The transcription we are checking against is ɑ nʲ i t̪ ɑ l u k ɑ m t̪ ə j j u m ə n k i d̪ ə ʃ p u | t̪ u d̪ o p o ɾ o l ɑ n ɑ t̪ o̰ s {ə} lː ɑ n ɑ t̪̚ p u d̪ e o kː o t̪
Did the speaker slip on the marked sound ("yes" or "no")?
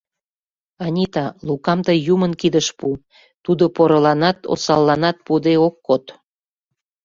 yes